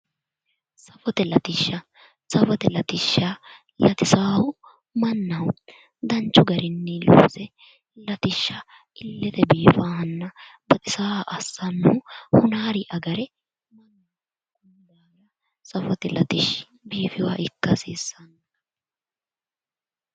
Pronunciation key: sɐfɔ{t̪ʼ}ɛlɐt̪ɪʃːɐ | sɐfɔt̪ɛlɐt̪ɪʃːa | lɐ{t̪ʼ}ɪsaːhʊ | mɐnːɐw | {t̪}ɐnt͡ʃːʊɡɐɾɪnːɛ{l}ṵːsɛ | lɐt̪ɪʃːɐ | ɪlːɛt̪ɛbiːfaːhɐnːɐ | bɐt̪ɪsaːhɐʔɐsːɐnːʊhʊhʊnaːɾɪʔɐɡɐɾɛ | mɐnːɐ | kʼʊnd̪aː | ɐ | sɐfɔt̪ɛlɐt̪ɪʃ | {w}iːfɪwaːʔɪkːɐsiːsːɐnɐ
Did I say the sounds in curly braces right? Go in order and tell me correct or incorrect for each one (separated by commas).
incorrect, incorrect, incorrect, correct, incorrect